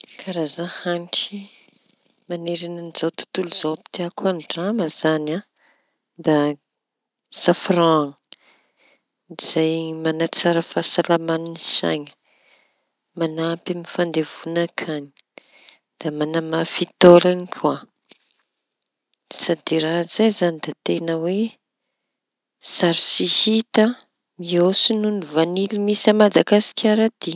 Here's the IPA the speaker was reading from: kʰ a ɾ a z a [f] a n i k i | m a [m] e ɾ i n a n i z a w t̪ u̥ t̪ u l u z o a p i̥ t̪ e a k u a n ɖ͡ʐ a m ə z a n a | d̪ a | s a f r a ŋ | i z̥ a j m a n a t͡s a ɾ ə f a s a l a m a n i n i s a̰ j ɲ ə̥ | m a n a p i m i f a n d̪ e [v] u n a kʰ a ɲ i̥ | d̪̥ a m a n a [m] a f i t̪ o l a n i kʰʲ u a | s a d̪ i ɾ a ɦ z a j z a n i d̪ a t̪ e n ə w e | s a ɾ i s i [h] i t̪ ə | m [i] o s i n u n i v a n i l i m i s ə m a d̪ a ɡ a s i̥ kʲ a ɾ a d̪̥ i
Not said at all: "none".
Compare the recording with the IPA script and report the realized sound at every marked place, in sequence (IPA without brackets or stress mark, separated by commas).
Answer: h, n, v, m, h, i